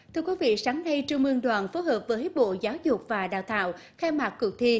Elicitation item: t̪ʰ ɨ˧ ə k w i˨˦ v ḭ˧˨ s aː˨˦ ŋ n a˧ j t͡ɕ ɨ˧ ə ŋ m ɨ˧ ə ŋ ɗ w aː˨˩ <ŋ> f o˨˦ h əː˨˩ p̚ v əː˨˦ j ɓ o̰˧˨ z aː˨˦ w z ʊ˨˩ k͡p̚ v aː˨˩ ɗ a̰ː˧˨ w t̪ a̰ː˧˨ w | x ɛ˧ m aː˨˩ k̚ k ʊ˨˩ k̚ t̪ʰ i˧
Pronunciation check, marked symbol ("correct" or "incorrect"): incorrect